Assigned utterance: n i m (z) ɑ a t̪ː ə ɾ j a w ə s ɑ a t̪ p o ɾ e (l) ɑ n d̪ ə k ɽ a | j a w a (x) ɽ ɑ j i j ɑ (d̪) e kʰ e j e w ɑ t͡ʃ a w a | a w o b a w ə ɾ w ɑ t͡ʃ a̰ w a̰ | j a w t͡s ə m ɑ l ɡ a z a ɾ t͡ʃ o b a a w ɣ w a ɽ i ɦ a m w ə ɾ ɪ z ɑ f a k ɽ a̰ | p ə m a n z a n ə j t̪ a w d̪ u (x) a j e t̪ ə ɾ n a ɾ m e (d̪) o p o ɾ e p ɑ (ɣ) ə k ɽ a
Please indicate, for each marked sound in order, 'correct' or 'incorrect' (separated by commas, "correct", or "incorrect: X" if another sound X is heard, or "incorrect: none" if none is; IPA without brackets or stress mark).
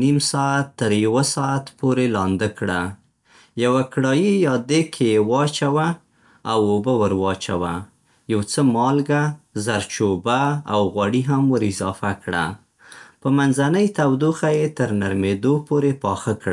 incorrect: s, correct, incorrect: k, correct, correct, correct, incorrect: x